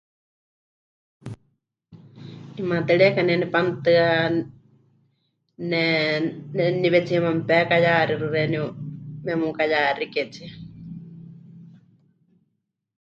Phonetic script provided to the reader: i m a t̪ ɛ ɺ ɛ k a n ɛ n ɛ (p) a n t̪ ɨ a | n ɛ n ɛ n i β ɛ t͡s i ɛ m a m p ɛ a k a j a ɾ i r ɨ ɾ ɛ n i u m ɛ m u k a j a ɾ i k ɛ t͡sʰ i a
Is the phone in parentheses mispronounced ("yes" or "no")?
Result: no